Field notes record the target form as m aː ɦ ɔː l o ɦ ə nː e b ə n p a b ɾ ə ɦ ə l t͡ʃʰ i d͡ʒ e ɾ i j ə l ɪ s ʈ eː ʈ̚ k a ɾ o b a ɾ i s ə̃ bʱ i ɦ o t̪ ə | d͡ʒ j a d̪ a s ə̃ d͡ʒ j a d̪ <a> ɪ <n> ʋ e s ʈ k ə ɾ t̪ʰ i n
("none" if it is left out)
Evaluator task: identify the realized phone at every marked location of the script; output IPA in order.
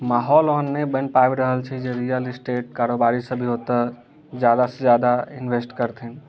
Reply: a, n

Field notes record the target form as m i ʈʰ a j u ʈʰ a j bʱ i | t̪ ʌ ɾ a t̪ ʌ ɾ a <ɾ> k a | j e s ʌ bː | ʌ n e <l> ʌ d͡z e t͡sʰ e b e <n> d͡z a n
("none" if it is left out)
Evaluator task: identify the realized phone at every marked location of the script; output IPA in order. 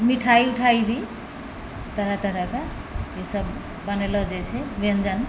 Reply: none, l, n

